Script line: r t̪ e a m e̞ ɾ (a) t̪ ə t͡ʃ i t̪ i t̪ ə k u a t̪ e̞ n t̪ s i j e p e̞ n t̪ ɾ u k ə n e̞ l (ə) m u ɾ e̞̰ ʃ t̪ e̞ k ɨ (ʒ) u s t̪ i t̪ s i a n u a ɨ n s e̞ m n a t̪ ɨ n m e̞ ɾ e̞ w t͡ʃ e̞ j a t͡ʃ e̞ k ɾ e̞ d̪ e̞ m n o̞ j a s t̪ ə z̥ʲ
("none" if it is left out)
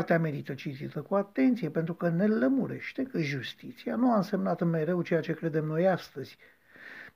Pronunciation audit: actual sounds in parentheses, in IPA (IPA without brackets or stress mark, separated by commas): i, ə, ʒ